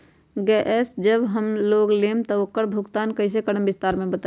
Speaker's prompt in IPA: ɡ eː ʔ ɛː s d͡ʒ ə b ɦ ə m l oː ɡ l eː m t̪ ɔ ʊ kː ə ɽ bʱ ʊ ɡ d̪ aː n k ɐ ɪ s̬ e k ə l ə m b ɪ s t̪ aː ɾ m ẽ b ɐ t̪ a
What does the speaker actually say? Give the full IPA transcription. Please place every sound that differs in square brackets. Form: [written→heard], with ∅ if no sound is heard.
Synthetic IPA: ɡ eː ʔ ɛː s d͡ʒ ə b ɦ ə m l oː ɡ l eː m t̪ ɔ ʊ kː ə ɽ bʱ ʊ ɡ [d̪→t̪] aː n k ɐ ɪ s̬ e k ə [l→ɽ] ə m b ɪ s t̪ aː ɾ m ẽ b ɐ t̪ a

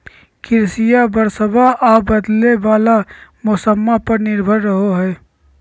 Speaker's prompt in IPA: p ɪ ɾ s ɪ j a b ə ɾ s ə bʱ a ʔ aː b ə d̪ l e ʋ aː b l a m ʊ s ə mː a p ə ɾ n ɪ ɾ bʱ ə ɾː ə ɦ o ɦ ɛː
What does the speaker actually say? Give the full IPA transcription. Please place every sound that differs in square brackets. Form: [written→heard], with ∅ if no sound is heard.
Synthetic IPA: [p→k] ɪ ɾ s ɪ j a b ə ɾ s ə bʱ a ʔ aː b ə d̪ l e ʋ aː [b→∅] l a m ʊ s ə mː a p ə ɾ n ɪ ɾ bʱ ə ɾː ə ɦ o ɦ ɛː

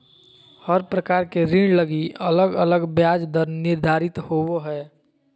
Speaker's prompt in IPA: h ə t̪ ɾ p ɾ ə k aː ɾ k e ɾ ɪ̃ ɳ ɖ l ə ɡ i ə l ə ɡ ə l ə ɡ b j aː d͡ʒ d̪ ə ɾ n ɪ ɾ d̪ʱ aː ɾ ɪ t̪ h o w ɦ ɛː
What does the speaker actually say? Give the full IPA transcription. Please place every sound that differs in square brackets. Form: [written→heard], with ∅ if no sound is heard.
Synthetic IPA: h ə [t̪→∅] ɾ p ɾ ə k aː ɾ k e ɾ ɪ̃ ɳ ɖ l ə ɡ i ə l ə ɡ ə l ə ɡ b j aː d͡ʒ d̪ ə ɾ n ɪ ɾ d̪ʱ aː ɾ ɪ t̪ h o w ɦ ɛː

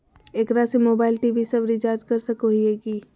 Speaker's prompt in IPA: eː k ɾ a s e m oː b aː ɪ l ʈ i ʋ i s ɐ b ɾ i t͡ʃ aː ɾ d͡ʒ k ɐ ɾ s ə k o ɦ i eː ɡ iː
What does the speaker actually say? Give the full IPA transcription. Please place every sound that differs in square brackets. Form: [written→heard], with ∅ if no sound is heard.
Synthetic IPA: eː k ɾ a s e m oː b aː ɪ l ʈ i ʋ i s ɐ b ɾ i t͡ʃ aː ɾ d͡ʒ k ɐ ɾ s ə k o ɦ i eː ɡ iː

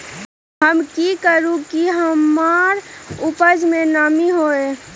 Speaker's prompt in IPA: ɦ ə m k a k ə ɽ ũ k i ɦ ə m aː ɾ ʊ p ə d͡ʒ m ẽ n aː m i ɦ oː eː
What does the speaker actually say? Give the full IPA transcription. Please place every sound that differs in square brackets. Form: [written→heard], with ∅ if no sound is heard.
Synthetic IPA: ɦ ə m k [a→i] k ə [ɽ→ɾ] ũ k i ɦ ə m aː ɾ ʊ p ə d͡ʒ m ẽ n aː m i ɦ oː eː

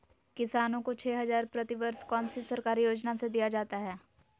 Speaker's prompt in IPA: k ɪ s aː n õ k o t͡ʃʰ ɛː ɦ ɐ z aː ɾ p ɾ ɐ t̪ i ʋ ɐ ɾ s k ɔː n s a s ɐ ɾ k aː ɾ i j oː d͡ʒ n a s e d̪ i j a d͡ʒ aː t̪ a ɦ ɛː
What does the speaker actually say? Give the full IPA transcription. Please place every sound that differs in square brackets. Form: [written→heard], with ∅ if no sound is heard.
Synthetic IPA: k ɪ s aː n õ k o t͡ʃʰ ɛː ɦ ɐ z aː ɾ p ɾ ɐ t̪ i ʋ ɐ ɾ s k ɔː n s [a→i] s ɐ ɾ k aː ɾ i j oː d͡ʒ n a s e d̪ i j a d͡ʒ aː t̪ a ɦ ɛː

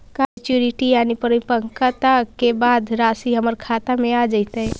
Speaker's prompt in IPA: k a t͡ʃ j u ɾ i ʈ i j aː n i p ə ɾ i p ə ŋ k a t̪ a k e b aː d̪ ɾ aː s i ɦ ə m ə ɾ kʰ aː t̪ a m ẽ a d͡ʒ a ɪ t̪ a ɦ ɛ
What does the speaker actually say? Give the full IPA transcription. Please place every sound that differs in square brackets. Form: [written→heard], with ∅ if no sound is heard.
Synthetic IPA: k a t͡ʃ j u ɾ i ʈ i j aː n i p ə ɾ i p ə ŋ k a t̪ a k e b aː d̪ ɾ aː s i ɦ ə m ə ɾ kʰ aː t̪ a m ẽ a d͡ʒ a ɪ t̪ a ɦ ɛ

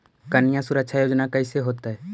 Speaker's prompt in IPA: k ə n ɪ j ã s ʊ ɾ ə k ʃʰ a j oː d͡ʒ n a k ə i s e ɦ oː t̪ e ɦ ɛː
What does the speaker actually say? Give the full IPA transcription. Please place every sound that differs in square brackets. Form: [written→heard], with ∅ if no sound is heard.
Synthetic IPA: k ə n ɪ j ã s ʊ ɾ ə k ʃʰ a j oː d͡ʒ n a k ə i s e ɦ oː t̪ [e→a] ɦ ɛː

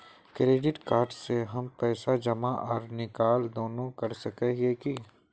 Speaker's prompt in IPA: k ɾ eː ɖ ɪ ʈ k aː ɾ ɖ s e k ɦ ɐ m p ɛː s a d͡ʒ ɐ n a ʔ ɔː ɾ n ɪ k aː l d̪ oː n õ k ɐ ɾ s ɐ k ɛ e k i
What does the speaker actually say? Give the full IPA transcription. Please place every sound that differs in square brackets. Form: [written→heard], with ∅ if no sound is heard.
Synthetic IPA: k ɾ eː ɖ ɪ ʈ k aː ɾ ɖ s e [k→∅] ɦ ɐ m p ɛː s a d͡ʒ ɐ [n→m] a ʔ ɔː ɾ n ɪ k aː l d̪ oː n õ k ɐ ɾ s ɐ k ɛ e k i

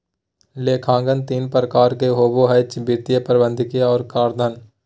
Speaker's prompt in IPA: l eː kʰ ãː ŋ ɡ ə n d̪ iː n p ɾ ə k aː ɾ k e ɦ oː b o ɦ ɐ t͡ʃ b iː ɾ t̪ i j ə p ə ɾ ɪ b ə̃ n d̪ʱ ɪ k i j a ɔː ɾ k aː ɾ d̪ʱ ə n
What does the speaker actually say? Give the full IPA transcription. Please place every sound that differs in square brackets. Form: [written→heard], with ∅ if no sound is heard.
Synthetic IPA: l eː kʰ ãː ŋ ɡ ə n [d̪→t̪] iː n p ɾ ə k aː ɾ k e ɦ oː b o ɦ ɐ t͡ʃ b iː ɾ t̪ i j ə p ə ɾ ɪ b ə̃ n d̪ʱ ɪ k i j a ɔː ɾ k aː ɾ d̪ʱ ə n

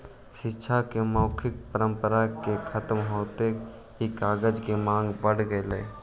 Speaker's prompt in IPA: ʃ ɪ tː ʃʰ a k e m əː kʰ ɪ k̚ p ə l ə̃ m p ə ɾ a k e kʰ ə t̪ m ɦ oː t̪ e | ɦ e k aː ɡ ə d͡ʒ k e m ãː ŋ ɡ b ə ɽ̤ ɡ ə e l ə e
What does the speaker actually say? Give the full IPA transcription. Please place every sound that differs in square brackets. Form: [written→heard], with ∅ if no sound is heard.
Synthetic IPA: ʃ ɪ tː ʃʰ a k e m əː kʰ ɪ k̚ p ə [l→ɾ] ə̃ m p ə ɾ a k e kʰ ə t̪ m ɦ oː t̪ e | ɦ [e→i] k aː ɡ ə d͡ʒ k e m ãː ŋ ɡ b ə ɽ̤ ɡ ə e l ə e

